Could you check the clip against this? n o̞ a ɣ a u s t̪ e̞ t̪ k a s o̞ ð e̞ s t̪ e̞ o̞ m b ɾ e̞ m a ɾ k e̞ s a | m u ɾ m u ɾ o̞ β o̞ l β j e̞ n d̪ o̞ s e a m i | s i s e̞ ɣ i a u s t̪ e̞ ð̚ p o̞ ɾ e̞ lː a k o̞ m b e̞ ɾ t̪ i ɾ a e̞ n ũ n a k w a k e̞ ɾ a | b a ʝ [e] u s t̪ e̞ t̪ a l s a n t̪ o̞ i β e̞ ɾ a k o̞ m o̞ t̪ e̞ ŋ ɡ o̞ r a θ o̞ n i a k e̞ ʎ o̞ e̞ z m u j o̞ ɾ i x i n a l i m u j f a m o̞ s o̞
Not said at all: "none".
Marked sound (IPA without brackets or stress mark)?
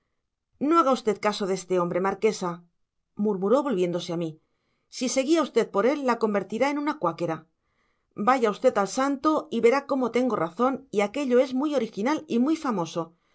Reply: a